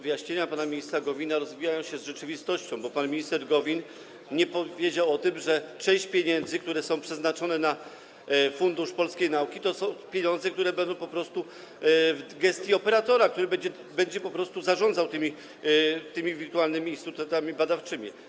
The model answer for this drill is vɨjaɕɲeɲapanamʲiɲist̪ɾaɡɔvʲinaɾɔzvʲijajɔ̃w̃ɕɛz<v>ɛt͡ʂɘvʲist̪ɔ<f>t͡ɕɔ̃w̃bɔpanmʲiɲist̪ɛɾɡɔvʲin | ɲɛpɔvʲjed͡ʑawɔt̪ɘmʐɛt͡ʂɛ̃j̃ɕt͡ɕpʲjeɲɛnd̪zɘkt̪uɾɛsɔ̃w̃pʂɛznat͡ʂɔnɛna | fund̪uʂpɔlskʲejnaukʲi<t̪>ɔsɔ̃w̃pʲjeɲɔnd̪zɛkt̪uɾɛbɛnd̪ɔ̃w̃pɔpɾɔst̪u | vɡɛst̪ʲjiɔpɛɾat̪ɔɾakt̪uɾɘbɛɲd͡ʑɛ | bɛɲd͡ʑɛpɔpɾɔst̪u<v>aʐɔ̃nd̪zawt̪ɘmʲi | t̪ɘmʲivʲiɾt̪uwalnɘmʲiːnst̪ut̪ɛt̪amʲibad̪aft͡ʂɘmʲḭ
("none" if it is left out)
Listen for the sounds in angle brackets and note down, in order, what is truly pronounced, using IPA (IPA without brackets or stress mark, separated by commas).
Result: ʐ, ɕ, t̪, z